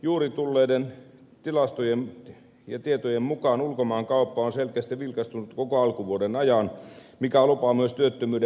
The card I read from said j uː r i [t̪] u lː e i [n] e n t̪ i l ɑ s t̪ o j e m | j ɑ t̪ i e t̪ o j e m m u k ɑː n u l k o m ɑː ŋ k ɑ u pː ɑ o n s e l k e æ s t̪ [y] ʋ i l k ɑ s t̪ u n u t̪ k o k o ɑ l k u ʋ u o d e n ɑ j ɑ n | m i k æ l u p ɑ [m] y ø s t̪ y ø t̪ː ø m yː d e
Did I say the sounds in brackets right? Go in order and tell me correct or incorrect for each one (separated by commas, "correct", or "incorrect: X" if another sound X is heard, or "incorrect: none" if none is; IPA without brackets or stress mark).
correct, incorrect: d, incorrect: i, correct